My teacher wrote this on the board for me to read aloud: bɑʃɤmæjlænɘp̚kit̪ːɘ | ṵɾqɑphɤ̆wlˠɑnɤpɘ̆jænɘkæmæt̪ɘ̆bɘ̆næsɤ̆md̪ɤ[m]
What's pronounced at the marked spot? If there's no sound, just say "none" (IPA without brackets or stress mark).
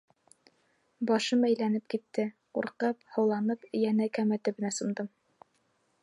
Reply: m